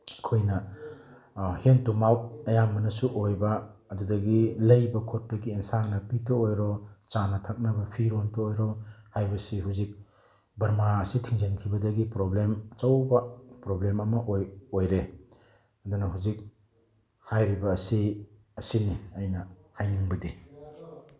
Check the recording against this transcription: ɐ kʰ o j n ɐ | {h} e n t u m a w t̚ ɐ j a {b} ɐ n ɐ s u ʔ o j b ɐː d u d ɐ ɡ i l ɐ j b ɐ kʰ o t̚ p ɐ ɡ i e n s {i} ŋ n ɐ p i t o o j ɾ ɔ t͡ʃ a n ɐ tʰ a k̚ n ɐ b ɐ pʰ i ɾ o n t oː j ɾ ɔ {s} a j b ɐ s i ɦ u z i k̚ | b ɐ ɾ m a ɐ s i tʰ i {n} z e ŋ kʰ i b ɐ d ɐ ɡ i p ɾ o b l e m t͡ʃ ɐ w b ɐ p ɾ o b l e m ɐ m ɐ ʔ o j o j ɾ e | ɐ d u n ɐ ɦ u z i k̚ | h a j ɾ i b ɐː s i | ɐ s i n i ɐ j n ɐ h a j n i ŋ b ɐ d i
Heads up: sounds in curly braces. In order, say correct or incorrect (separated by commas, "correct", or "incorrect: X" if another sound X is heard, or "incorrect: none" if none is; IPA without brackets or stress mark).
correct, incorrect: m, incorrect: a, incorrect: h, incorrect: ŋ